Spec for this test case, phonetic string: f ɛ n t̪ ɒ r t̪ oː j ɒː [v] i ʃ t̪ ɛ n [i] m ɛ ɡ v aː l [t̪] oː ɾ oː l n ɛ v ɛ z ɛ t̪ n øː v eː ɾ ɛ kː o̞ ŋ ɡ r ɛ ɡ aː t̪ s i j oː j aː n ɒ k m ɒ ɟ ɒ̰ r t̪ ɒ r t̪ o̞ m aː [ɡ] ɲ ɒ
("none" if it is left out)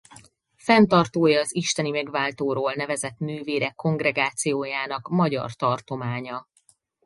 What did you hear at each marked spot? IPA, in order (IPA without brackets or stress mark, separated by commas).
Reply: z, i, t̪, none